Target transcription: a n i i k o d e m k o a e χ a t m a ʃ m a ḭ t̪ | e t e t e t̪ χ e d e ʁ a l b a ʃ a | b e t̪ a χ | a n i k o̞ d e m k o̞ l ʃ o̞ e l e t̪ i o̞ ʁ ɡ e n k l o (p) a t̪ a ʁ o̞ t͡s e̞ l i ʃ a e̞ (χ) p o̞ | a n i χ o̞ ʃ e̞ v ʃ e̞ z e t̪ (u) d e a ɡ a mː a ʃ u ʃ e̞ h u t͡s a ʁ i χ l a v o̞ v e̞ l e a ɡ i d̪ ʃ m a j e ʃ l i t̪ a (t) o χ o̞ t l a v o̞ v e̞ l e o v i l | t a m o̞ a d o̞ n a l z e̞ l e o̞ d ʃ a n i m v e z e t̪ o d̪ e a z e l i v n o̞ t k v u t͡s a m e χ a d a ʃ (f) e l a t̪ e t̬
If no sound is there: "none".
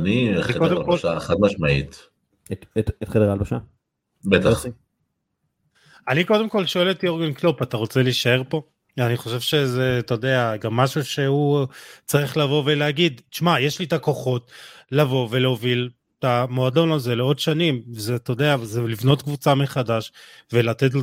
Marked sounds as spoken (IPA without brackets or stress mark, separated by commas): p, ʁ, o, k, v